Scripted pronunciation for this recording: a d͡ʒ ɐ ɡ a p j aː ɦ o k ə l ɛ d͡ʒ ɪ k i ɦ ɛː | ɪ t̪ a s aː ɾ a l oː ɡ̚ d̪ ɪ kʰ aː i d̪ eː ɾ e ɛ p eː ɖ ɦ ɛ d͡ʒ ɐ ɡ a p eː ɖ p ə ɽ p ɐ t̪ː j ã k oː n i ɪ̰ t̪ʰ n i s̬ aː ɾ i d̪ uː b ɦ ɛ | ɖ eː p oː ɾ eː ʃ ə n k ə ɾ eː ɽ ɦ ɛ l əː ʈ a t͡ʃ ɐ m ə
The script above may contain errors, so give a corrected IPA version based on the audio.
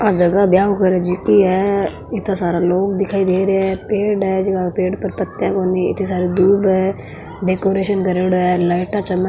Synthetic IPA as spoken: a d͡ʒ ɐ ɡ a b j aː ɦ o k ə ɾ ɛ d͡ʒ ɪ k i ɦ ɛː | ɪ t̪ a s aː ɾ a l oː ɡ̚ d̪ ɪ kʰ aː i d̪ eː ɾ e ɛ p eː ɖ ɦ ɛ d͡ʒ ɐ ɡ a p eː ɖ p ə ɾ p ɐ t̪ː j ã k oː n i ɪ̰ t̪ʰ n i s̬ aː ɾ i d̪ uː b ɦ ɛ | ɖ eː k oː ɾ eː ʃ ə n k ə ɾ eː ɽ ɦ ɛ l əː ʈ a t͡ʃ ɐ m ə